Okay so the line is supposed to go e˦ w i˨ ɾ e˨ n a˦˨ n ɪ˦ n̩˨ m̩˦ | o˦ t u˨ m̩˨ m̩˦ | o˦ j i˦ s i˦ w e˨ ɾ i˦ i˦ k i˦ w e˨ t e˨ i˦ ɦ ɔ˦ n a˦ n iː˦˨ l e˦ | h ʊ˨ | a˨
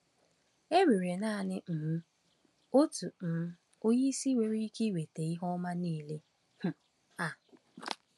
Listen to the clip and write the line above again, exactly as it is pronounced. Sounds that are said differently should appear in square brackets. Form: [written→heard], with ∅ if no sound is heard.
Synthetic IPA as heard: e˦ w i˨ ɾ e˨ n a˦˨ n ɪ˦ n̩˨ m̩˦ | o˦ t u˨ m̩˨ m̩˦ | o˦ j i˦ s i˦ w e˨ ɾ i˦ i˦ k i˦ w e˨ t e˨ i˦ ɦ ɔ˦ [n→m] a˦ n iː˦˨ l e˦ | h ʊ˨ | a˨